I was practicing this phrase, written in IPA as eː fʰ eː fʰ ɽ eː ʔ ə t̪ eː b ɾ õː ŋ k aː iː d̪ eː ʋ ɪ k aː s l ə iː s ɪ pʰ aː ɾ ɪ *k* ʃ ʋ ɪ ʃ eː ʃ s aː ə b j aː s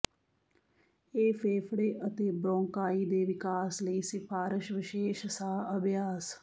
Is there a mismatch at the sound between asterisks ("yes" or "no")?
yes